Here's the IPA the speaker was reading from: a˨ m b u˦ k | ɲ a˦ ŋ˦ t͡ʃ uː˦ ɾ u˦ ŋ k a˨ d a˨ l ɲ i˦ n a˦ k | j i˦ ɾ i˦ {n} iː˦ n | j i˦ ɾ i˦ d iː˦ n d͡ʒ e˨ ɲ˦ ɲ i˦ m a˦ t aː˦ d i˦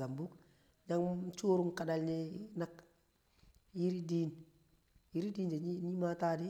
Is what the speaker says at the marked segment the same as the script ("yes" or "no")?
no